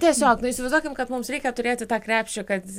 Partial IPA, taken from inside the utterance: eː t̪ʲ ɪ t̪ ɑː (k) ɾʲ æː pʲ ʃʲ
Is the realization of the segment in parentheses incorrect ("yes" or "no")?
no